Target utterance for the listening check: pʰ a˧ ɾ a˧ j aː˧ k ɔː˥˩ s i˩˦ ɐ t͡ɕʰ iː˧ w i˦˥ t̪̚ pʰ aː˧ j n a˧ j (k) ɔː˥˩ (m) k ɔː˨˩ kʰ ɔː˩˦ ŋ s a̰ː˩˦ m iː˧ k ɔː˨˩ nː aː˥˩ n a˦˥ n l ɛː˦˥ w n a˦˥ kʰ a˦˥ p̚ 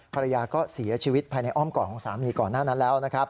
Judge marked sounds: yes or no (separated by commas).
no, yes